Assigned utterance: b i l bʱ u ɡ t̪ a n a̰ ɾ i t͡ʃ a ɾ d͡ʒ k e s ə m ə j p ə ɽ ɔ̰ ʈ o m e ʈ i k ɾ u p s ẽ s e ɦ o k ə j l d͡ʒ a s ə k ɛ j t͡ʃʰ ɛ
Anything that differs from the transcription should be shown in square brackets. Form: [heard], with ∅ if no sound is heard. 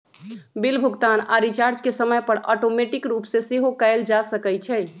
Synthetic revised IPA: b i l bʱ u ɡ t̪ a n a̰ ɾ i t͡ʃ a ɾ d͡ʒ k e s ə m ə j p ə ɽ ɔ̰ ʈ o m e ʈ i k ɾ u p s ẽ s e ɦ o k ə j l d͡ʒ a s ə k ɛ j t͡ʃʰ ɛ